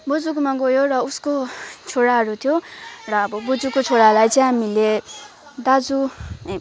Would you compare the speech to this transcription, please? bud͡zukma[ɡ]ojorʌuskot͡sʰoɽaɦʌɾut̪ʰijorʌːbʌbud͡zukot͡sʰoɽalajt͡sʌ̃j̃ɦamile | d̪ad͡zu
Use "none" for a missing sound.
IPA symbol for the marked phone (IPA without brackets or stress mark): ɡ